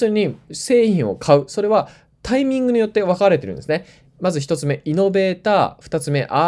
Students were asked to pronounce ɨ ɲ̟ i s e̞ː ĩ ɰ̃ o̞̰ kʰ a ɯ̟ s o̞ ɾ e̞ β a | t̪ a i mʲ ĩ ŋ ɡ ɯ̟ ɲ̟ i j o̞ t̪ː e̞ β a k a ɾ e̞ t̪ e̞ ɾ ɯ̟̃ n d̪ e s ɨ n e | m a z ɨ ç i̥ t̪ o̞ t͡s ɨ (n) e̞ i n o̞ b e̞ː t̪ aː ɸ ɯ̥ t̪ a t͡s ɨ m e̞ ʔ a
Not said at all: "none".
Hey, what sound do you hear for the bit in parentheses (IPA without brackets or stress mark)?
m